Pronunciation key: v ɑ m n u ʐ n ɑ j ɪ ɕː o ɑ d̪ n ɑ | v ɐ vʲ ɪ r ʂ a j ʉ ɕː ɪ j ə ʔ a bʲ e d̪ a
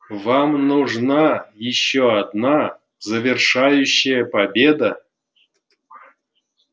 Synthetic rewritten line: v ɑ m n u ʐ n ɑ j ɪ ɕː o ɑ d̪ n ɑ | z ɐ vʲ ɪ r ʂ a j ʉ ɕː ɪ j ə p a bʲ e d̪ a